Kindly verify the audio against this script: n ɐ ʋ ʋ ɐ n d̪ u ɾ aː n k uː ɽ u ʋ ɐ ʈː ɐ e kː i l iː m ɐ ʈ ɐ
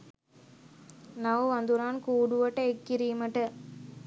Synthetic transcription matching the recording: n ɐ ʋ ʋ ɐ n d̪ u ɾ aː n k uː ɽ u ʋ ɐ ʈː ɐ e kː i ɾ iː m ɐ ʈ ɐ

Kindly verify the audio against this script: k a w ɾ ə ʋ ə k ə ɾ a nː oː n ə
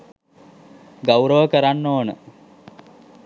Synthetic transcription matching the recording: ɡ a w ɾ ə ʋ ə k ə ɾ a nː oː n ə

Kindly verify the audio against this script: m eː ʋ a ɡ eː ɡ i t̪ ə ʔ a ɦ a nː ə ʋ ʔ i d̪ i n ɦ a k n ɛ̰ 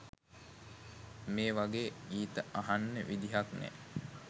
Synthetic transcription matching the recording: m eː ʋ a ɡ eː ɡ iː t̪ ə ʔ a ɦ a nː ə ʋ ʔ i d̪ i ɦ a k n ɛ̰

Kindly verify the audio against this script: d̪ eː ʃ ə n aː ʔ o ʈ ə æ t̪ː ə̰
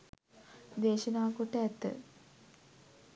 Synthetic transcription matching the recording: d̪ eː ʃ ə n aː k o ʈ ə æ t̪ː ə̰

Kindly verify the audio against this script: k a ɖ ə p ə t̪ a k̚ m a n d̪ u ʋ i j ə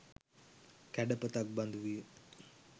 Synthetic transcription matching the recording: k æ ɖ ə p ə t̪ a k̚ b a n d̪ u ʋ i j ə

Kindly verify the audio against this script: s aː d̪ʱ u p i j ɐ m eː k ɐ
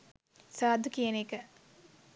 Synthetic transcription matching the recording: s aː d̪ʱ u k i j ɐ n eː k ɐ

